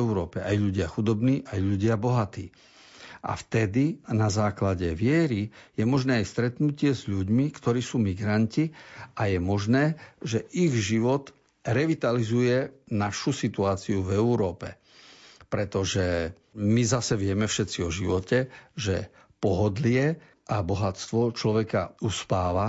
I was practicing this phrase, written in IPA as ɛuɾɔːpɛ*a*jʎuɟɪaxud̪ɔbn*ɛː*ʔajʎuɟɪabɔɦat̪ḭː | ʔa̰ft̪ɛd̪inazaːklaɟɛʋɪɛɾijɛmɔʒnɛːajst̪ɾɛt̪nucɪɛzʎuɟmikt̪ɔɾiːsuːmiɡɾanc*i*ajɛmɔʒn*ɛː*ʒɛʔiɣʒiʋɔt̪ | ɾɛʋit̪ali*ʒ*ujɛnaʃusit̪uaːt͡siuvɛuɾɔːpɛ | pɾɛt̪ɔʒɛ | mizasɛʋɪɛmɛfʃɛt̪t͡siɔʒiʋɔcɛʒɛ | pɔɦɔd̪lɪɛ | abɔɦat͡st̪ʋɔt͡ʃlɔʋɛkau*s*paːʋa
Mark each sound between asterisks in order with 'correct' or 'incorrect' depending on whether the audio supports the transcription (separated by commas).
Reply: correct, incorrect, correct, correct, incorrect, correct